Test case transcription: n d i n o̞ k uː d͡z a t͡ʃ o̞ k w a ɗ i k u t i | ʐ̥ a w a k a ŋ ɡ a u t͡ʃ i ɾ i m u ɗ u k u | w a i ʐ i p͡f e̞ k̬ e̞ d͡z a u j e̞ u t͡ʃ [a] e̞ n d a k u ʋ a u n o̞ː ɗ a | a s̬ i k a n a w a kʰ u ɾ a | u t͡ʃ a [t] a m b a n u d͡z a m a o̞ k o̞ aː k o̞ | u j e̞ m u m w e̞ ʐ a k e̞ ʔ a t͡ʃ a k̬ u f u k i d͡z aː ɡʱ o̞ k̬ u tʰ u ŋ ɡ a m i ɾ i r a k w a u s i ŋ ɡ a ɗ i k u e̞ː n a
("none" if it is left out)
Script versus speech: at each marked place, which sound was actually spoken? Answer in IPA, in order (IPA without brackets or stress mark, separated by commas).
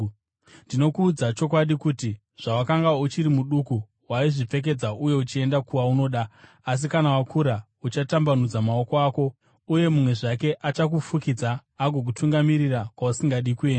i, t